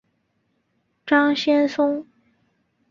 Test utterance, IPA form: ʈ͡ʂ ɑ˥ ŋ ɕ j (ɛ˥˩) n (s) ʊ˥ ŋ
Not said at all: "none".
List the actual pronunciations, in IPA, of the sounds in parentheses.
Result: ɛ˥, s

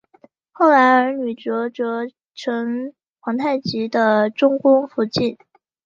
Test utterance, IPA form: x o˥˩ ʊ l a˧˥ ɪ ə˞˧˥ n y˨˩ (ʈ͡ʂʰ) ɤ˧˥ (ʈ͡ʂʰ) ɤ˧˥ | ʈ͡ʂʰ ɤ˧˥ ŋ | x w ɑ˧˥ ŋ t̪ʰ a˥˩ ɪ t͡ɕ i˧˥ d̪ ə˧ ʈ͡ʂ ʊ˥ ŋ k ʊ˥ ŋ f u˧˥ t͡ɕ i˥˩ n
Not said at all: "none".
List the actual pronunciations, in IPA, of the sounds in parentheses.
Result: ʈ͡ʂ, ʈ͡ʂ

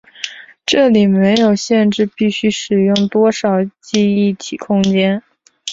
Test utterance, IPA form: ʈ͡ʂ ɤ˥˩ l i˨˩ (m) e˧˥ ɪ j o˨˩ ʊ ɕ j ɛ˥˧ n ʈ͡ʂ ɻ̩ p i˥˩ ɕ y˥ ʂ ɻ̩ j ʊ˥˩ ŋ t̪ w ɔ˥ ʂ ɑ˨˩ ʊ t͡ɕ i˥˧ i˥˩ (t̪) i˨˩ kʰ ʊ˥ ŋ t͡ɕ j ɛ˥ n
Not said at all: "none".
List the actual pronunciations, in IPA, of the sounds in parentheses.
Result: m, t̪ʰ

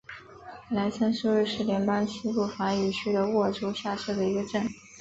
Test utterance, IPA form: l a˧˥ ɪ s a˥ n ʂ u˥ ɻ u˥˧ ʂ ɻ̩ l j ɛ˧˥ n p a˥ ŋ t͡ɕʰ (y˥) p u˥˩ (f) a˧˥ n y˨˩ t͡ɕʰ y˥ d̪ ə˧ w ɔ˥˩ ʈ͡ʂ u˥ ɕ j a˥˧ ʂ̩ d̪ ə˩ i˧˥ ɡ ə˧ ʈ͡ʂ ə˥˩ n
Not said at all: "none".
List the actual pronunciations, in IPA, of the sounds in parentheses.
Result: i˥, f

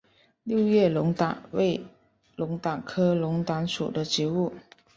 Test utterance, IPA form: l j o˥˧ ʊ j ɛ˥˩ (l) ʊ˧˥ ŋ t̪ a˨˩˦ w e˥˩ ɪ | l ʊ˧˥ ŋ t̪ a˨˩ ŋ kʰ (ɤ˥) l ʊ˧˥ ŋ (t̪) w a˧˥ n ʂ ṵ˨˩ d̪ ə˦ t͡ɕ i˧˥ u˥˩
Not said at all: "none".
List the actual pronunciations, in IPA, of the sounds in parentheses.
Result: l, ɤ˥, t̪

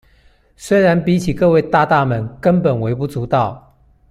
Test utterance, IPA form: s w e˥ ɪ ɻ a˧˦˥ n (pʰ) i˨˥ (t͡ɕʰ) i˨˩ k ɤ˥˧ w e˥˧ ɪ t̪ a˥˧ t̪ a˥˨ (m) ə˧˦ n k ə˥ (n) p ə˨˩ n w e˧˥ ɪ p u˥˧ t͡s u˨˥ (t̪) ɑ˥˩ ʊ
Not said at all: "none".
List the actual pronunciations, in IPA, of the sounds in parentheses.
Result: p, t͡ɕʰ, m, n, t̪

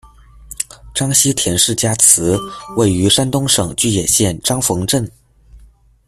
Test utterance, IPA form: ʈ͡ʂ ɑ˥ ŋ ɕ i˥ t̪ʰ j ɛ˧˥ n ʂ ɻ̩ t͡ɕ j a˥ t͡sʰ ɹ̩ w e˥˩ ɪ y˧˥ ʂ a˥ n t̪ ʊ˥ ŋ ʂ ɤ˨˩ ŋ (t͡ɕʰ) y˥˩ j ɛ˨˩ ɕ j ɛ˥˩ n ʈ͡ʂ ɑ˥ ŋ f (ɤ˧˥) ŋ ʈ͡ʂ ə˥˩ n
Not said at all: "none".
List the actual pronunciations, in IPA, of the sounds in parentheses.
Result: t͡ɕ, ɤ˧˥

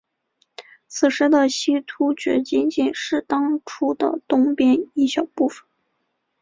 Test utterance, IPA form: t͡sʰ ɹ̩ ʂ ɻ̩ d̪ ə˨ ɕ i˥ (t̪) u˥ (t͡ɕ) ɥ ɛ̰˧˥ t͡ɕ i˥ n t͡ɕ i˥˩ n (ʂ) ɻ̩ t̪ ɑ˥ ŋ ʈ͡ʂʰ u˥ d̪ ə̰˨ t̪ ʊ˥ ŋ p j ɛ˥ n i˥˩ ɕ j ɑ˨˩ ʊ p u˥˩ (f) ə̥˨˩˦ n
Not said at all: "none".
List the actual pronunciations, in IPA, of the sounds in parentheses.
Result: t̪ʰ, t͡ɕ, ʂ, f

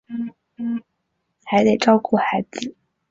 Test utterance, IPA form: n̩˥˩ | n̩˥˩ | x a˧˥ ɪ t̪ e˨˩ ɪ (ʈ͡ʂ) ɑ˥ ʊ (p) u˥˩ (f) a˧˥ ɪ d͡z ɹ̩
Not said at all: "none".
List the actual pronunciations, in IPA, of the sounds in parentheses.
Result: ʈ͡ʂ, k, x

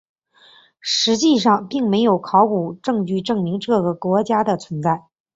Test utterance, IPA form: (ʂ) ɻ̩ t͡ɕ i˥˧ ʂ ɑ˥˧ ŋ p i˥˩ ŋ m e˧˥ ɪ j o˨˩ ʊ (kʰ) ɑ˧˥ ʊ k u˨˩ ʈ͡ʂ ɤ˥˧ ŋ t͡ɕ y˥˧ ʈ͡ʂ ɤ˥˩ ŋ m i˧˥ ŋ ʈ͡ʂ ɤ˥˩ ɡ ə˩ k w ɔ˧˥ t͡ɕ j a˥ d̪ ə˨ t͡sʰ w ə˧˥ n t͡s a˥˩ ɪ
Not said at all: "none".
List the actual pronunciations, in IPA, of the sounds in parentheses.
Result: ʂ, kʰ

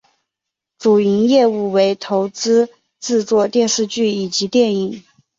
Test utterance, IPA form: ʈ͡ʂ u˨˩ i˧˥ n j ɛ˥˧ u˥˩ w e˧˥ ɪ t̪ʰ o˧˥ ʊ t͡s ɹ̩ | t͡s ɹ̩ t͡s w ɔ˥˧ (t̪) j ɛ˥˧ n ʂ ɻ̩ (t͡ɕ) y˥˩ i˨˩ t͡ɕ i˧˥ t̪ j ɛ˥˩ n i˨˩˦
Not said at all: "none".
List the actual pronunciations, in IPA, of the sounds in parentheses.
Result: t̪, t͡ɕ

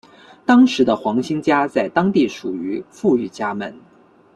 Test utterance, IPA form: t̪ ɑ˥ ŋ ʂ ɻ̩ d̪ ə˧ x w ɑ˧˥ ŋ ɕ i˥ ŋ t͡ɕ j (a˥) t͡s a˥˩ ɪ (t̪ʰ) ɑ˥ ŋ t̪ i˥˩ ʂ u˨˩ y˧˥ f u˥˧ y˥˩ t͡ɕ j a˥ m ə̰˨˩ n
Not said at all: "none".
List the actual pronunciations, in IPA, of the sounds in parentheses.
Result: a˥, t̪

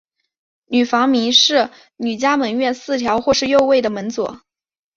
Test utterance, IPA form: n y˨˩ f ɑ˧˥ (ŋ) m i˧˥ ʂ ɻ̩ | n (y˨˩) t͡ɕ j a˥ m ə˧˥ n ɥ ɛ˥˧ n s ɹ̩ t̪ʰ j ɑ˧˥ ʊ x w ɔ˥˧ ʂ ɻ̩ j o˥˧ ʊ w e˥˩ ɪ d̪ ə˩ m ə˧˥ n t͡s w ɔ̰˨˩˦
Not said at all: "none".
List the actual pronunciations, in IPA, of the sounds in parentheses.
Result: ŋ, y˨˩

